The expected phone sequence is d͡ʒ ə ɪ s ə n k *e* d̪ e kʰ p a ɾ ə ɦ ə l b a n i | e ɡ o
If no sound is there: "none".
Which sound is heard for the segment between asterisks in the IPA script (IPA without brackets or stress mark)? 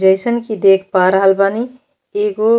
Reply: i